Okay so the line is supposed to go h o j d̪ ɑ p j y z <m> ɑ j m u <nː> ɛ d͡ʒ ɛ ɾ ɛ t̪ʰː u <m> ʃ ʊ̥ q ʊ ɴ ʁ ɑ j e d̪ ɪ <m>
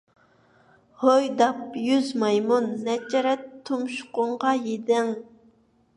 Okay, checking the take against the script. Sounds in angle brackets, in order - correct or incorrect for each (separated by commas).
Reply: correct, correct, correct, incorrect